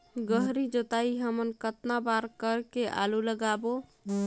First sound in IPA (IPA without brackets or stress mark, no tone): ɡ